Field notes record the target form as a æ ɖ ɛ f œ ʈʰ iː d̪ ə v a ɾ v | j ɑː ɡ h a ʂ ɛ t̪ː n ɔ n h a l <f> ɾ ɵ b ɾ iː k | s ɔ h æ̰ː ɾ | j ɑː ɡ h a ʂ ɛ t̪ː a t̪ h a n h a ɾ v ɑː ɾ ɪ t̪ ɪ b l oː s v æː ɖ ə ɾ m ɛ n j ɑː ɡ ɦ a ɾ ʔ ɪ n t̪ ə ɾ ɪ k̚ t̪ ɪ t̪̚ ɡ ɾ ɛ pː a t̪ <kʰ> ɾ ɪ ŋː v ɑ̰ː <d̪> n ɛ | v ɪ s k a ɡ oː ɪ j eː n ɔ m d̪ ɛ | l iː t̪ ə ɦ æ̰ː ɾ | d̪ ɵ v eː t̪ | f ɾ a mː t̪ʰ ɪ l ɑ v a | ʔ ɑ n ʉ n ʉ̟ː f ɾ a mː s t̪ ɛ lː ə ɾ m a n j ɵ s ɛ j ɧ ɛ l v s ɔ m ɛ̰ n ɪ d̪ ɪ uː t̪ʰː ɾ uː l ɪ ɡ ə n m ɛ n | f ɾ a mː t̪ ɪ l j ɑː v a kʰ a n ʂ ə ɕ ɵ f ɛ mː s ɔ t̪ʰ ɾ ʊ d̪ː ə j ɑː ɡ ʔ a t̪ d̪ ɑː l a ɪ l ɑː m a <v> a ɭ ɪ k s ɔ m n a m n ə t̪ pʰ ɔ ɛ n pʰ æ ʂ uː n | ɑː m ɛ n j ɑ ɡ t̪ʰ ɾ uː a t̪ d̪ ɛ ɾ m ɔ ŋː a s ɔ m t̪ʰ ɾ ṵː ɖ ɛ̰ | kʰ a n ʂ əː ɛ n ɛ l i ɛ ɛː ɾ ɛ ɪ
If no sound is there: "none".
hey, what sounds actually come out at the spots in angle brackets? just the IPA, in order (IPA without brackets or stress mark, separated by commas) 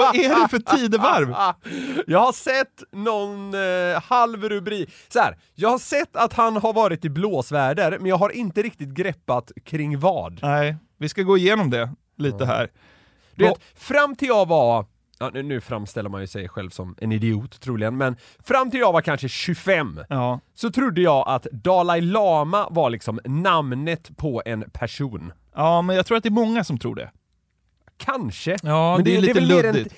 v, kʰ, d̪, v